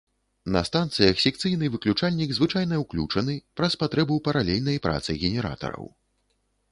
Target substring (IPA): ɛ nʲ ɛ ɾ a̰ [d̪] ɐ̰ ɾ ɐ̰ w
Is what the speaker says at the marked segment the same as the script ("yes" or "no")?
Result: no